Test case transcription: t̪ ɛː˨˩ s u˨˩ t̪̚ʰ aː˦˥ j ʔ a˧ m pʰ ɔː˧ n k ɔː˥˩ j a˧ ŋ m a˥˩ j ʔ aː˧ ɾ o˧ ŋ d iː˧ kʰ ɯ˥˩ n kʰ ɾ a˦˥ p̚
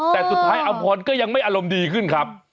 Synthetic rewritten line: t̪ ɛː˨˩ s u˨˩ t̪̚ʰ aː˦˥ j ʔ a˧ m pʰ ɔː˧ n k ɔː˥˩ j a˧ ŋ m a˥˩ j ʔ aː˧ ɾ o˧ m d iː˧ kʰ ɯ˥˩ n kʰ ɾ a˦˥ p̚